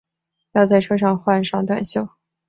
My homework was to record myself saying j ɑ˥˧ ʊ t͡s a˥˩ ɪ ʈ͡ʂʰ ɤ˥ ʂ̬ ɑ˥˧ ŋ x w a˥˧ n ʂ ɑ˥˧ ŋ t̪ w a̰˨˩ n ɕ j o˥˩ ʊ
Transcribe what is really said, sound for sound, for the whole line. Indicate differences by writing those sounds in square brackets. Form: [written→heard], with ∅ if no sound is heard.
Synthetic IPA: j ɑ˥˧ ʊ t͡s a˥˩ ɪ ʈ͡ʂʰ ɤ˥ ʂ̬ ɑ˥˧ ŋ x w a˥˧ n ʂ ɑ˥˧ ŋ t̪ w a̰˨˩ n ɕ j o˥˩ ʊ